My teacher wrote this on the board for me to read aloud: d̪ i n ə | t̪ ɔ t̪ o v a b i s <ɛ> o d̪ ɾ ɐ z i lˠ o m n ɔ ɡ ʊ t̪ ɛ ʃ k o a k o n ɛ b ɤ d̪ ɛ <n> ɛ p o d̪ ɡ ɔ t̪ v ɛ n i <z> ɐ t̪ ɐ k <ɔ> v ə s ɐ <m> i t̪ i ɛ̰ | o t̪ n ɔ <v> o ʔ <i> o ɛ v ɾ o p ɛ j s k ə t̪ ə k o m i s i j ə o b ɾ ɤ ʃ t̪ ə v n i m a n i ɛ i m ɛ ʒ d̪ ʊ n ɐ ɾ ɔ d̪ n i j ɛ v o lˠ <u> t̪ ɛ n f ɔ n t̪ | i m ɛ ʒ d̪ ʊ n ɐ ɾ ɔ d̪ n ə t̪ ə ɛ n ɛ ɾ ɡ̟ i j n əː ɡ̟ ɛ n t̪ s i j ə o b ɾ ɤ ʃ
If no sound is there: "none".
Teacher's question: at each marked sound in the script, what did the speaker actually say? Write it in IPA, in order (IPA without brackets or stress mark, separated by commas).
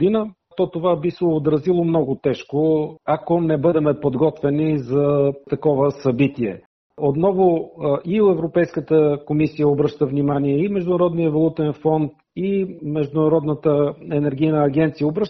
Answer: ɛ, m, z, ɔ, b, v, i, u